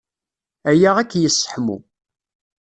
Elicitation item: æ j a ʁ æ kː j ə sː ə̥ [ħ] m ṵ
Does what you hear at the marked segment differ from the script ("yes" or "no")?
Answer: no